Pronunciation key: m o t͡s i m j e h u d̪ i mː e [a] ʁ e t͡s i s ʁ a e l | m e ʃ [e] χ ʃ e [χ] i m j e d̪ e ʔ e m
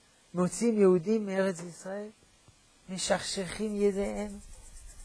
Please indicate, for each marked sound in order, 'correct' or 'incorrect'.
incorrect: e, incorrect: a, correct

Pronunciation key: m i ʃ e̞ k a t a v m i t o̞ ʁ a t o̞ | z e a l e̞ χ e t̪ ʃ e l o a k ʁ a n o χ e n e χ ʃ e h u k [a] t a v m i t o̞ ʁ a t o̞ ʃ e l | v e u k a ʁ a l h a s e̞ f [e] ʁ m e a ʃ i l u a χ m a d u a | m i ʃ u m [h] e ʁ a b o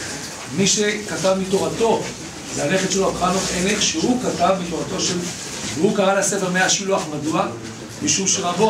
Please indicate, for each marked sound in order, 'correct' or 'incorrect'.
correct, correct, incorrect: ʃ

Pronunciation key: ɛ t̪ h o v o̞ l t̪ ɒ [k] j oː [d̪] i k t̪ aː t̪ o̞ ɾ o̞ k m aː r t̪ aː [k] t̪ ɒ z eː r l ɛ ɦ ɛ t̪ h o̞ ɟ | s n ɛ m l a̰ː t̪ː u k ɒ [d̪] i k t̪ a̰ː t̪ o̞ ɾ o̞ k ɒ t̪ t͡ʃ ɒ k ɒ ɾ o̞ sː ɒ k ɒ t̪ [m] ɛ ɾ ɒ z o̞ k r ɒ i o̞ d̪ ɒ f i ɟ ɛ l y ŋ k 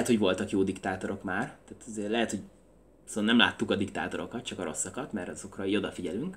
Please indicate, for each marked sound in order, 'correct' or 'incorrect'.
correct, correct, incorrect: none, correct, correct

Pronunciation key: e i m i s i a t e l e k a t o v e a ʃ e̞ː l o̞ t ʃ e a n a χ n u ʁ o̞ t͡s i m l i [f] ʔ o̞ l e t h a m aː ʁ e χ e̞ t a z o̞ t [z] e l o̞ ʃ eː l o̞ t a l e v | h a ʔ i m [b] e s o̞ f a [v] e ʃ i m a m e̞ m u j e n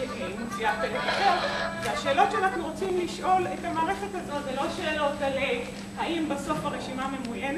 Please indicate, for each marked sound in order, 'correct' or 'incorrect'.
incorrect: ʃ, correct, correct, incorrect: ʁ

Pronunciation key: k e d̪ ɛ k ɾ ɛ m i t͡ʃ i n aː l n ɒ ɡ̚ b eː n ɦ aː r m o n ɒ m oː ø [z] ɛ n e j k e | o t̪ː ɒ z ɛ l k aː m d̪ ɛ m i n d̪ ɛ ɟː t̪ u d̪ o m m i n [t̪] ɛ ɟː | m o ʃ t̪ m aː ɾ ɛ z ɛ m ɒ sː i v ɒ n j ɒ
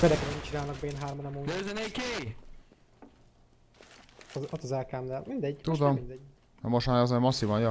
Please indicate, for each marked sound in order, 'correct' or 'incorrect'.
correct, incorrect: d̪

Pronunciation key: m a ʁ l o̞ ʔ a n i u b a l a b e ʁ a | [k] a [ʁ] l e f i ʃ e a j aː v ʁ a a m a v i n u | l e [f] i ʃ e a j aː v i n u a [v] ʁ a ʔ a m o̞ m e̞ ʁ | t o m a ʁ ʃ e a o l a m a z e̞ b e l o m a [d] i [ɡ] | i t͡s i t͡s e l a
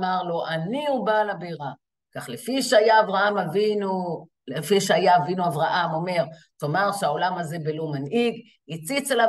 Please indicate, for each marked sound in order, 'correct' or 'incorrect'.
correct, incorrect: χ, correct, correct, incorrect: n, correct

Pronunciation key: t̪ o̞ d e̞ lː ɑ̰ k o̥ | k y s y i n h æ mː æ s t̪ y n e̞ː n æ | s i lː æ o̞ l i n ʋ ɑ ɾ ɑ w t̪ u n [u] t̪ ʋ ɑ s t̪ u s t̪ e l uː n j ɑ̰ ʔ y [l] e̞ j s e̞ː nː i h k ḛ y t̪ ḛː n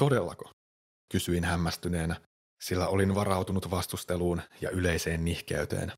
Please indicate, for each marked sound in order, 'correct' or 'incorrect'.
correct, correct

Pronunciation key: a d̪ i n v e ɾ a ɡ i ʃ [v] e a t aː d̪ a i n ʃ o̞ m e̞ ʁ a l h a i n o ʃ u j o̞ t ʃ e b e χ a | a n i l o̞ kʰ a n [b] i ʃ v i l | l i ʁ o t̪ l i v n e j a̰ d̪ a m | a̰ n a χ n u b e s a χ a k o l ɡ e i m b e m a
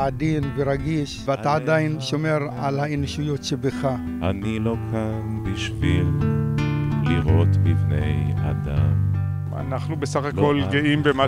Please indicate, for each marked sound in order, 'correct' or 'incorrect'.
correct, correct

